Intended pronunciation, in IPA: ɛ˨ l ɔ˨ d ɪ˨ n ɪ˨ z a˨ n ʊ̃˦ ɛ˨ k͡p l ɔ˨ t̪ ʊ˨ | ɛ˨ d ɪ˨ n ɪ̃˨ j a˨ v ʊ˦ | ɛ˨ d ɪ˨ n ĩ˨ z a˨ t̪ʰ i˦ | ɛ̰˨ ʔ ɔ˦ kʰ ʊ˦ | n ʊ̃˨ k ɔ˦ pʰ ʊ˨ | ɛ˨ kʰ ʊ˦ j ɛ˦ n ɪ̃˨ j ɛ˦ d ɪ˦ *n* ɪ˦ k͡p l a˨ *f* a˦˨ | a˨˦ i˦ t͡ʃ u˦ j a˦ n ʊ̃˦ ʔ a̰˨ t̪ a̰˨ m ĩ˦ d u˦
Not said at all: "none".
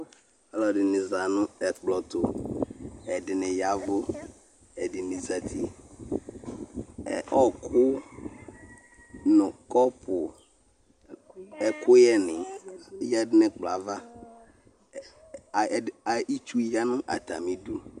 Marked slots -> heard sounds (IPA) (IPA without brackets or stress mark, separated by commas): n, v